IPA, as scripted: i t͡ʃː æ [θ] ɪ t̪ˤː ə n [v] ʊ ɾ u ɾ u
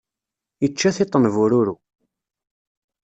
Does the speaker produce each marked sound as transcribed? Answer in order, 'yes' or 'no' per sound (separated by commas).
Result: yes, yes